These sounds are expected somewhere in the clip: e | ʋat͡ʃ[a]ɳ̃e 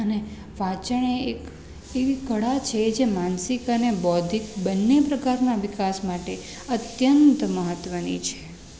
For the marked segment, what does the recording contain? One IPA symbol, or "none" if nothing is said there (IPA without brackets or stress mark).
ə